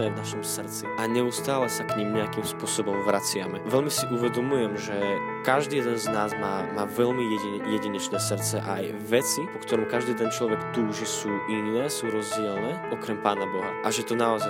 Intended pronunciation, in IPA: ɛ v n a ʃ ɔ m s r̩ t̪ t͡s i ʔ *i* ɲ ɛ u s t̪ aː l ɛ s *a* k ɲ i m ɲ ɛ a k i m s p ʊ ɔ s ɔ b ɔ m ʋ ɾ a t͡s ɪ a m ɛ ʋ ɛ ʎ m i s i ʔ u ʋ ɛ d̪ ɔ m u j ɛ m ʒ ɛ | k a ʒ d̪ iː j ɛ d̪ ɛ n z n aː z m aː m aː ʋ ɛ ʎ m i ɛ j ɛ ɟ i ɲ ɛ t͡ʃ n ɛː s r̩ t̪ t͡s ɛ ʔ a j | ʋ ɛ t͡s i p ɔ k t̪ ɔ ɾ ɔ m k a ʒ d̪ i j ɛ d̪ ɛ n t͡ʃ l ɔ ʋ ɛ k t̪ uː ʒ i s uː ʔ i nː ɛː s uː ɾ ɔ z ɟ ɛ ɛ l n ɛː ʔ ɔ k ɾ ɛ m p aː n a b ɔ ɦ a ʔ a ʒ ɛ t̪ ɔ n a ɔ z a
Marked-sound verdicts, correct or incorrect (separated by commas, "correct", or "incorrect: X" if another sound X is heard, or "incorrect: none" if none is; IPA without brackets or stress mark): incorrect: a, correct